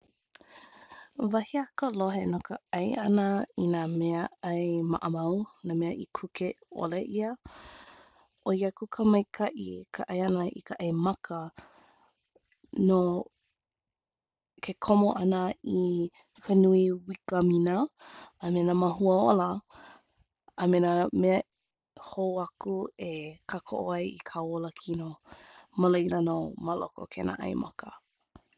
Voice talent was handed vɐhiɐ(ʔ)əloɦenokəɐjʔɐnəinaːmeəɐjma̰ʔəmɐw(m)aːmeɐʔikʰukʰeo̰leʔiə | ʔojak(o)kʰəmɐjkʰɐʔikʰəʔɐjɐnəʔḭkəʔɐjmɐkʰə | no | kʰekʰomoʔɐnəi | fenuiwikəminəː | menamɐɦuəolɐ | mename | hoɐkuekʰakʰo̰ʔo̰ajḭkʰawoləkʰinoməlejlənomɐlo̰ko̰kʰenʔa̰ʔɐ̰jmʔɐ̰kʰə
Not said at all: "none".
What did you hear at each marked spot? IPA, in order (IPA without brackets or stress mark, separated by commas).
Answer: k, n, u